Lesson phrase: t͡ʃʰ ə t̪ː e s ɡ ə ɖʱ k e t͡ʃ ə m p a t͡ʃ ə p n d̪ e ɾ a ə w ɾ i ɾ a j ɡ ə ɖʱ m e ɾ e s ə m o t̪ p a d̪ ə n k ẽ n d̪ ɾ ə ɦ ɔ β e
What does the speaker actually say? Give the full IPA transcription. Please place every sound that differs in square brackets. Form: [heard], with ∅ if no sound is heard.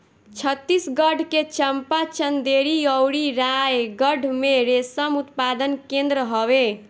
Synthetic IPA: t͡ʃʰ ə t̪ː [i] s ɡ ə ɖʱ k e t͡ʃ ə m p a t͡ʃ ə [∅] n d̪ e ɾ [i] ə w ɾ i ɾ a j ɡ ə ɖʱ m e ɾ e s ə m [u] t̪ p a d̪ ə n k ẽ n d̪ ɾ ə ɦ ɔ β e